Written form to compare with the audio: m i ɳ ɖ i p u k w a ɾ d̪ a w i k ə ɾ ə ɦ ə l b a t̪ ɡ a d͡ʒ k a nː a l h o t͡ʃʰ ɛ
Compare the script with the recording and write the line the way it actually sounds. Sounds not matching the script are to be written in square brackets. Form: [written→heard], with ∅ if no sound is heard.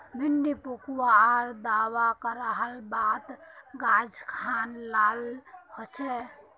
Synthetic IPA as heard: m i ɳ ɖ i p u k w a ɾ d̪ a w [i→a] k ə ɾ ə ɦ ə l b a t̪ ɡ a d͡ʒ [k→kʰ] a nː a l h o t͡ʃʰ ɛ